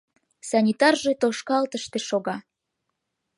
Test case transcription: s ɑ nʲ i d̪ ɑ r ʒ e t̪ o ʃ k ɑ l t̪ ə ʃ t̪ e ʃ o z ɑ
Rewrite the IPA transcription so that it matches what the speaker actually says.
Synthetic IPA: s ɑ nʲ i t̪ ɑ r ʒ e t̪ o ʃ k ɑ l t̪ ə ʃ t̪ e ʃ o ɣ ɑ